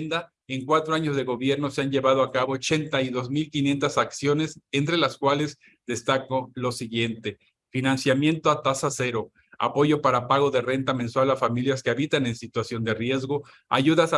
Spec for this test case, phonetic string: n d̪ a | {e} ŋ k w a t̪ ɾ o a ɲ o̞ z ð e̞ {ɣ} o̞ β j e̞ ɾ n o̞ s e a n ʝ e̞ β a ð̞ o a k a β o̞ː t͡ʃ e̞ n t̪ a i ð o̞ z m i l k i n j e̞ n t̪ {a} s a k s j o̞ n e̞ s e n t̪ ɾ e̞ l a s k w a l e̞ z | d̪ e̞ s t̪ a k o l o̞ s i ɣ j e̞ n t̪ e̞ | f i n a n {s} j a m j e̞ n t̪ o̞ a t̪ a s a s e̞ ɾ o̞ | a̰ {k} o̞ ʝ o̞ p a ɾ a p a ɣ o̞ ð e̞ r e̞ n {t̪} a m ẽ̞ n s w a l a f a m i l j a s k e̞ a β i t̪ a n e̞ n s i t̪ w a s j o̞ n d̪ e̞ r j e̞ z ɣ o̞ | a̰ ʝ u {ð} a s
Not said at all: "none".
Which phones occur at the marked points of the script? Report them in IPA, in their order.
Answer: e, ɣ, a, s, p, t̪, ð

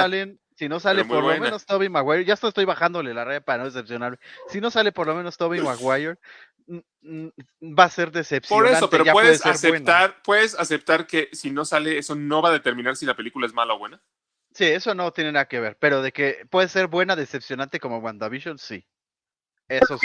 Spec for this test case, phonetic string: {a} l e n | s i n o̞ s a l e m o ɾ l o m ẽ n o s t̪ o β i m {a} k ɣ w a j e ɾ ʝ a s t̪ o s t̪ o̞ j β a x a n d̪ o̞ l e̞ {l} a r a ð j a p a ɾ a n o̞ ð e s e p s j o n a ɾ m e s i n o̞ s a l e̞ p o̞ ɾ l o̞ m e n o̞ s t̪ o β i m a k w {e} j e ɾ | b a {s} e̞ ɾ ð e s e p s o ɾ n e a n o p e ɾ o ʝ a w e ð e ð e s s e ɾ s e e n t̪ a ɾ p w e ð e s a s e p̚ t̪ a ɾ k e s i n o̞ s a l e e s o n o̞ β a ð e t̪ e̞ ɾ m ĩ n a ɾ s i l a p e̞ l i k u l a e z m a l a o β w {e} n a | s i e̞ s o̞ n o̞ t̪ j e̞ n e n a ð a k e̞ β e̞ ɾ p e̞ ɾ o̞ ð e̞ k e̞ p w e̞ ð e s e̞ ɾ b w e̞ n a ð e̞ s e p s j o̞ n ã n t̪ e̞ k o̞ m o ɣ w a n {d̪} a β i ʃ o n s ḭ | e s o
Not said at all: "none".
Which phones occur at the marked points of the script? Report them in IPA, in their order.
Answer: a, a, l, a, s, e, d̪

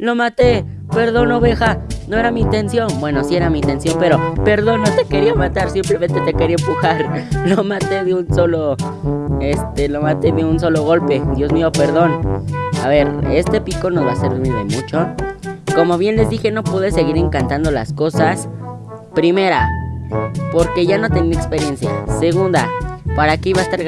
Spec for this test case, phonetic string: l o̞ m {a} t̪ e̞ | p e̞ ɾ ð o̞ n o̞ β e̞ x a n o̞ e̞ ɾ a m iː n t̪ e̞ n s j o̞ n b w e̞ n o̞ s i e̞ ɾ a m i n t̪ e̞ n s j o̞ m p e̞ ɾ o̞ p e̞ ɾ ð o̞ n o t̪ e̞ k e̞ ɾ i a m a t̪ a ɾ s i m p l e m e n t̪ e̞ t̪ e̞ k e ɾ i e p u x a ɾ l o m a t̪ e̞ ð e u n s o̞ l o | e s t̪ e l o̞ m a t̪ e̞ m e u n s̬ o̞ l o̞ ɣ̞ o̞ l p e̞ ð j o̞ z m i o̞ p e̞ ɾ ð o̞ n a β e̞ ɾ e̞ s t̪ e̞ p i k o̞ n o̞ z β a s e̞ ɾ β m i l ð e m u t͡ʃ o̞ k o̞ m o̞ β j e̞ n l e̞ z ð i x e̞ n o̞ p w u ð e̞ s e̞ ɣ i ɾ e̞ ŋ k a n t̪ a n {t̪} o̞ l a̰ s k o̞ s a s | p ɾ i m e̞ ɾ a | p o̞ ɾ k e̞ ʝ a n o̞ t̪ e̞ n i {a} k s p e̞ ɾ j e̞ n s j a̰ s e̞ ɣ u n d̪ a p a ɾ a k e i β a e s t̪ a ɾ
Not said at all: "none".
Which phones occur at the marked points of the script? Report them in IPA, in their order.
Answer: a, d̪, e

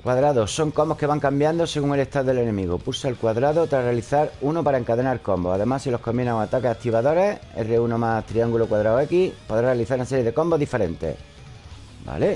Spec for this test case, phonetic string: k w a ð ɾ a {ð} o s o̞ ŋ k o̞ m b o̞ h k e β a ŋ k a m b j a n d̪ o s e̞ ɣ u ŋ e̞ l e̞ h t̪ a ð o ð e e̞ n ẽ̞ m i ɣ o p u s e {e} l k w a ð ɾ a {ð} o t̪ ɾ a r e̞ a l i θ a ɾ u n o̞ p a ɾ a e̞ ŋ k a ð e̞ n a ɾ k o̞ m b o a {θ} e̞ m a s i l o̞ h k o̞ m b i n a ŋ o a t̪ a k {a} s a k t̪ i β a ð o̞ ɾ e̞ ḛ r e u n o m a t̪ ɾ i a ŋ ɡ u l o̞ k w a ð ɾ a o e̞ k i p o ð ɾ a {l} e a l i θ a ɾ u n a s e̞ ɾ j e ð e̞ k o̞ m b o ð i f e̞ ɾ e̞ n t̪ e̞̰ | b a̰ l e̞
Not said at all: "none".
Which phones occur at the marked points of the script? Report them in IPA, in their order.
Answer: ð, a, ð, ð, e, r

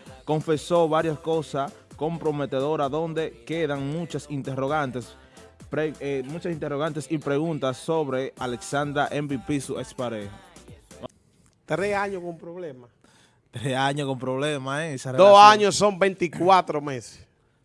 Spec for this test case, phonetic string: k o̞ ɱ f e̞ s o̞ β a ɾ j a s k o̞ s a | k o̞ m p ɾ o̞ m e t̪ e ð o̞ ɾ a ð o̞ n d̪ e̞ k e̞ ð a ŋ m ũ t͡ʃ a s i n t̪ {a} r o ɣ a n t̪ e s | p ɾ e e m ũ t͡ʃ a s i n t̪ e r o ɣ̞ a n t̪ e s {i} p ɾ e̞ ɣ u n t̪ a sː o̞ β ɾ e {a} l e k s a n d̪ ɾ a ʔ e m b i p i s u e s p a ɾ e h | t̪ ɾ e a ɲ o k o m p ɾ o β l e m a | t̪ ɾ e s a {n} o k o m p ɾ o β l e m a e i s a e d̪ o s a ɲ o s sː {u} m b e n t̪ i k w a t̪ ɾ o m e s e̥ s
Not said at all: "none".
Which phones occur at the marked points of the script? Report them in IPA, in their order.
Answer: e, i, a, ɲ, o

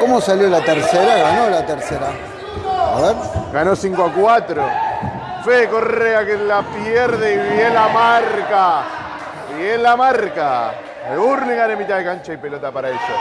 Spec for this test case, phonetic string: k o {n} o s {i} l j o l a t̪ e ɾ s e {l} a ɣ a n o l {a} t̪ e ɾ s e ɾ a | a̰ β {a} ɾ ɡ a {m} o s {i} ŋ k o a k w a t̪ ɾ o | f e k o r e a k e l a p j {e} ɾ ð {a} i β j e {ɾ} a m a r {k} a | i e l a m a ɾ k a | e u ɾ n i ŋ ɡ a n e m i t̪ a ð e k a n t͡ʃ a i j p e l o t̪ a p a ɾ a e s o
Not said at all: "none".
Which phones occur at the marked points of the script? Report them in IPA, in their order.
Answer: m, a, ɾ, a, e, n, i, e, e, l, k

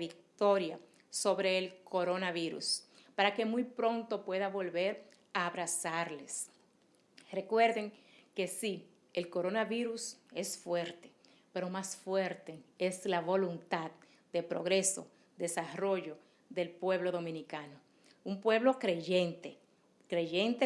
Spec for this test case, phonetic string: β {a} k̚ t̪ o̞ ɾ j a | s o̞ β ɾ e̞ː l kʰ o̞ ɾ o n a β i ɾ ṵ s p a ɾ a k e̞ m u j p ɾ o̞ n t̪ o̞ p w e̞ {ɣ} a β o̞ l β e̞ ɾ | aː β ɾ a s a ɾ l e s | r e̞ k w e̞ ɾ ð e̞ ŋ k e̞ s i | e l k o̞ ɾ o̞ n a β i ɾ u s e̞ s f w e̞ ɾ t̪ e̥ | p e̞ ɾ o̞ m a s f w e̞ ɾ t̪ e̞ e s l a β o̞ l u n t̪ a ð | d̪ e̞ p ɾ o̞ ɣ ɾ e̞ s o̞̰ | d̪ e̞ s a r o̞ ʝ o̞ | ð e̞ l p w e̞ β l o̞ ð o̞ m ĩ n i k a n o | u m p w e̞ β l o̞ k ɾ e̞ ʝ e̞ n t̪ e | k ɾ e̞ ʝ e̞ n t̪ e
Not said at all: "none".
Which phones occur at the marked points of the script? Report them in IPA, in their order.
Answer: i, ð

